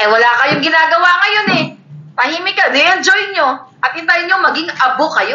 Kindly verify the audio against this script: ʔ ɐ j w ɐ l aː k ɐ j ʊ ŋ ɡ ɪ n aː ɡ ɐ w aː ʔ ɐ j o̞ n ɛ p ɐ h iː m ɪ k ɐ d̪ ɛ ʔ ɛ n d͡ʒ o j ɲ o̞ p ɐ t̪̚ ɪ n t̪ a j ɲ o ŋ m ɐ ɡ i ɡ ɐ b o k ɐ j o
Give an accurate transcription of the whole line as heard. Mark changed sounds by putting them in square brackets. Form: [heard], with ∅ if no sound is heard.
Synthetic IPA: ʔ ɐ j w ɐ l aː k ɐ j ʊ ŋ ɡ ɪ n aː ɡ ɐ w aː [k] ɐ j o̞ n ɛ p ɐ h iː m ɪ k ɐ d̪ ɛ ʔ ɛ n d͡ʒ o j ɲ o̞ [ʔ] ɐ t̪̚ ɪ n t̪ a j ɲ o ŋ m ɐ ɡ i [ŋ] ɐ b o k ɐ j o